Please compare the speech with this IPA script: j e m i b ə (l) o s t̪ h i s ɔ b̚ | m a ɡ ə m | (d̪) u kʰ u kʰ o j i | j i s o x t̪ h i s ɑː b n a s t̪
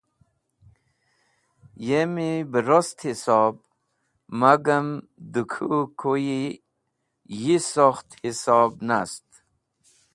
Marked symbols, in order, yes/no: no, yes

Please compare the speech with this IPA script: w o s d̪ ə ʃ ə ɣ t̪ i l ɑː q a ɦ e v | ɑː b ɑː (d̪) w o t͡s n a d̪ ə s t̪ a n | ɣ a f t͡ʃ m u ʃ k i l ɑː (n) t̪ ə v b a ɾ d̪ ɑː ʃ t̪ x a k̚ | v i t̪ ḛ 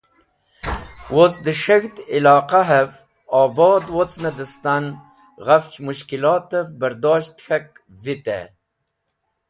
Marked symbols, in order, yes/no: yes, no

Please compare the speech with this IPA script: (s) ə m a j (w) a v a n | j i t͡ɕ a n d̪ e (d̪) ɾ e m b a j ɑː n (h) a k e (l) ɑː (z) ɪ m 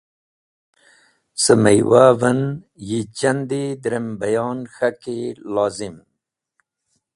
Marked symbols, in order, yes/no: yes, yes, yes, no, yes, yes

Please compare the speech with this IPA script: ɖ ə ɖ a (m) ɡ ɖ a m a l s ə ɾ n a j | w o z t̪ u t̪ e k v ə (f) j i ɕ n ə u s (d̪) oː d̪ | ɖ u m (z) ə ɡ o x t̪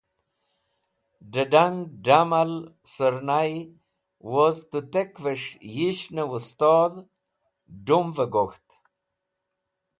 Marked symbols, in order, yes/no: no, no, no, no

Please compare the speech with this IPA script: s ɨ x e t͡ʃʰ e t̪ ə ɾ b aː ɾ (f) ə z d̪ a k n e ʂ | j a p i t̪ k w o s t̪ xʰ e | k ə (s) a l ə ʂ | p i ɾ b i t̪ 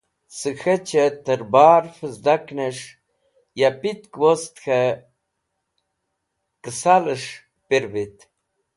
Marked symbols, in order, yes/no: yes, yes

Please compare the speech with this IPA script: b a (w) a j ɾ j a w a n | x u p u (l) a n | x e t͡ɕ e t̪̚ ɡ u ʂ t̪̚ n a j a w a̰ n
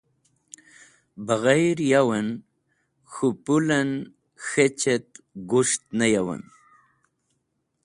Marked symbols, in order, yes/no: no, yes

